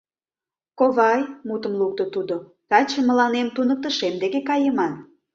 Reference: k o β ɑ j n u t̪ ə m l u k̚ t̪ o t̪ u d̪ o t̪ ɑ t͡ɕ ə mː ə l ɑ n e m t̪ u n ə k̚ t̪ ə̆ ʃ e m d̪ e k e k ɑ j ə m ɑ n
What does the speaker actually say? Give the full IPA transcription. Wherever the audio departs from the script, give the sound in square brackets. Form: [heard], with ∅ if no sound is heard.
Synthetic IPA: k o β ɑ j [m] u t̪ ə m l u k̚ t̪ o t̪ u d̪ o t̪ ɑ t͡ɕ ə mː ə l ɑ n e m t̪ u n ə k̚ t̪ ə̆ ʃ e m d̪ e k e k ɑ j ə m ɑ n